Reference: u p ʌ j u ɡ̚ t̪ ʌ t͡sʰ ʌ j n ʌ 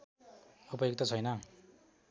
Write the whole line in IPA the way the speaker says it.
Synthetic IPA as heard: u p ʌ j o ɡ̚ t̪ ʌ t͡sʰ ʌ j n ʌ